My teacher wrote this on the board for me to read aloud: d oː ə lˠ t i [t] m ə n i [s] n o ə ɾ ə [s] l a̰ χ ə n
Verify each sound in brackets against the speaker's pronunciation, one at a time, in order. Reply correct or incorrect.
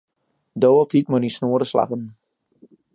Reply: correct, correct, correct

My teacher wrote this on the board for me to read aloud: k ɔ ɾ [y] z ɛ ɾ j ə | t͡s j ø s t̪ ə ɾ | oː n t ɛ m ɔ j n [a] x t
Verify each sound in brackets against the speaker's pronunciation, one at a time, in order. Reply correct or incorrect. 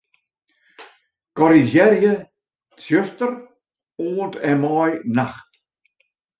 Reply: incorrect: i, correct

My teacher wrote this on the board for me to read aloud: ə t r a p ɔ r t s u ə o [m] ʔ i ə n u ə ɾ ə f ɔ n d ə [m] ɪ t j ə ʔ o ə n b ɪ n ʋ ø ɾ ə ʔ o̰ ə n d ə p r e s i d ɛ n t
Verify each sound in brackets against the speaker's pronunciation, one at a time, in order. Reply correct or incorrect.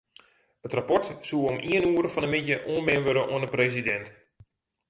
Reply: correct, correct

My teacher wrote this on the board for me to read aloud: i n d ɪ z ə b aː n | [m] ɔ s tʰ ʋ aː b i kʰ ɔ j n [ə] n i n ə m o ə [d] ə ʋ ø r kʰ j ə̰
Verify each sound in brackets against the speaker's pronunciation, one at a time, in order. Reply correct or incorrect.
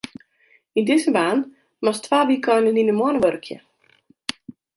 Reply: correct, correct, incorrect: n

